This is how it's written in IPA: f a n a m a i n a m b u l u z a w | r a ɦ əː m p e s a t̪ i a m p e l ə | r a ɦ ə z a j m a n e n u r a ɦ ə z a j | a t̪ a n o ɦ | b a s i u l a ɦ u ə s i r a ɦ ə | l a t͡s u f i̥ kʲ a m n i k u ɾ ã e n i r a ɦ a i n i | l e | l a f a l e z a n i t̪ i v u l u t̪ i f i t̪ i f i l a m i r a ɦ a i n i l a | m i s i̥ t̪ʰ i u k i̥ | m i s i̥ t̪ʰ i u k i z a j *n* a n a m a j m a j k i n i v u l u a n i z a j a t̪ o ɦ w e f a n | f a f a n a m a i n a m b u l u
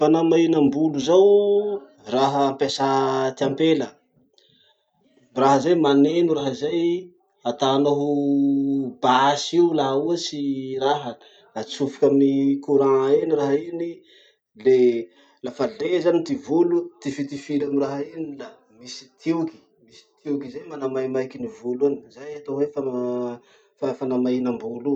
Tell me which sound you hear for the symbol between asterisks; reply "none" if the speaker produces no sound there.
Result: m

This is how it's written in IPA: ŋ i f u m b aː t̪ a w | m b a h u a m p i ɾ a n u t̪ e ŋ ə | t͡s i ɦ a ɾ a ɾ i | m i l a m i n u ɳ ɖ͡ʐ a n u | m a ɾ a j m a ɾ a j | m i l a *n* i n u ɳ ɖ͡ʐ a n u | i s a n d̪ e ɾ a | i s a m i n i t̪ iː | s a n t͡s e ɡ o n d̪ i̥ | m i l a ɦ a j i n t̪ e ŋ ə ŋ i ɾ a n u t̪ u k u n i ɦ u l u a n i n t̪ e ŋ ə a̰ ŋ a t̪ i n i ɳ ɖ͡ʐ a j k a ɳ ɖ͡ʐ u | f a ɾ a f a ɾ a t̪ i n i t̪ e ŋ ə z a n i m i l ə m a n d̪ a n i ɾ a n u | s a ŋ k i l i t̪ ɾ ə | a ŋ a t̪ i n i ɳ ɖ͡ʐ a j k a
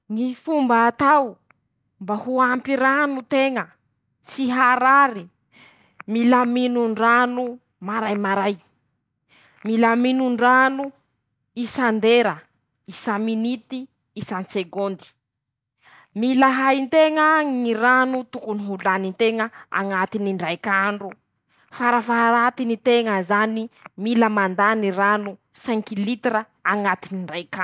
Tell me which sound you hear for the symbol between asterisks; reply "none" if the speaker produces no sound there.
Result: m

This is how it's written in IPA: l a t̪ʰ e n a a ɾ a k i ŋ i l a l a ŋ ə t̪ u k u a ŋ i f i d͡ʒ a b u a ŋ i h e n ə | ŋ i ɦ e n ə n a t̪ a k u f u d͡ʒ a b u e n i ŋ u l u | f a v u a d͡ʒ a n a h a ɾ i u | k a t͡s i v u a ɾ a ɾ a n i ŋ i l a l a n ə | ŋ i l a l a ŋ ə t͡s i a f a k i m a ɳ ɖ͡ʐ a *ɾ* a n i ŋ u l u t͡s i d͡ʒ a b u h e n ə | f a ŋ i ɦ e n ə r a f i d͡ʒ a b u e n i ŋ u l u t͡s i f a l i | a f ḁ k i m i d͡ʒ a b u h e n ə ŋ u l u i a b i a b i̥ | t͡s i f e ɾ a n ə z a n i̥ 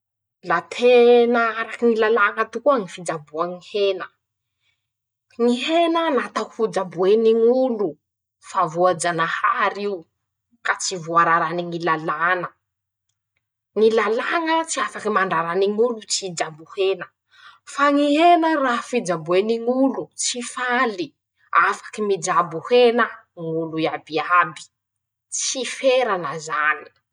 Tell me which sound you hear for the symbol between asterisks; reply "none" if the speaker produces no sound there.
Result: ɾ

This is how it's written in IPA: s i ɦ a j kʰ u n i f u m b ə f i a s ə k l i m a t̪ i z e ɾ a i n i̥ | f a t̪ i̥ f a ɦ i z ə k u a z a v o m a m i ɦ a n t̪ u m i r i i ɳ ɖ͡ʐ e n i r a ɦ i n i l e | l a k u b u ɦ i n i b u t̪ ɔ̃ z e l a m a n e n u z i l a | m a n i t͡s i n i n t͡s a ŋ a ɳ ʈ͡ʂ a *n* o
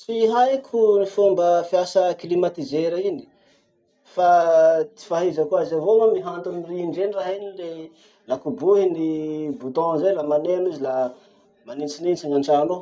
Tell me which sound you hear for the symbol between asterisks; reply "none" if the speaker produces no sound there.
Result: n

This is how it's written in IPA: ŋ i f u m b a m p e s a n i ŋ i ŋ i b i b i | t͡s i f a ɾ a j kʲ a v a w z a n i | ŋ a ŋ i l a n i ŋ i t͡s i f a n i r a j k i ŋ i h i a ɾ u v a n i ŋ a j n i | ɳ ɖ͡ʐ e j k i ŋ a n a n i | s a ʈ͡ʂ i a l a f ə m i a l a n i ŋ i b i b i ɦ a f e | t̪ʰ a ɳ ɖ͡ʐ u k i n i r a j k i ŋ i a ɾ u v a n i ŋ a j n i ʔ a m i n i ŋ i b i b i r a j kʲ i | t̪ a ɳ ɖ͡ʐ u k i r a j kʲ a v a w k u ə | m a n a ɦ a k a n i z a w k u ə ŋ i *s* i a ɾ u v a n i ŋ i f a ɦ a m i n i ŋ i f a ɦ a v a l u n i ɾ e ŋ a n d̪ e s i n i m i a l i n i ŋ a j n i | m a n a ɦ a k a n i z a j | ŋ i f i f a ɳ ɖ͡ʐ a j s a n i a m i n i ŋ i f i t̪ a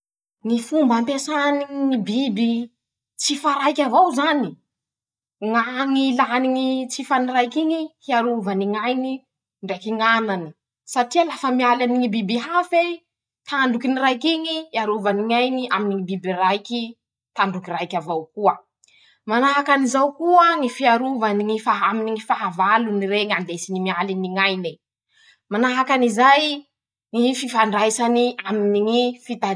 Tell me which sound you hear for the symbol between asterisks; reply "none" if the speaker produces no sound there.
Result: f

